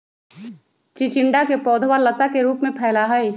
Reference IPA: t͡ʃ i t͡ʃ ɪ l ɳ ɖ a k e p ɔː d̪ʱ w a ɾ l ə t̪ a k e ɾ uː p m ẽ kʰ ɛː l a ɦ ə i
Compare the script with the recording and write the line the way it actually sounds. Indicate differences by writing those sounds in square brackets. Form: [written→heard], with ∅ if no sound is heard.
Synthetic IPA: t͡ʃ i t͡ʃ ɪ [l→∅] ɳ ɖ a k e p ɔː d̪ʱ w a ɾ l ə t̪ a k e ɾ uː p m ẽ [kʰ→pʰ] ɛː l a ɦ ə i